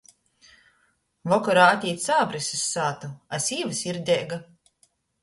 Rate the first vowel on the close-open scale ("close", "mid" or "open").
mid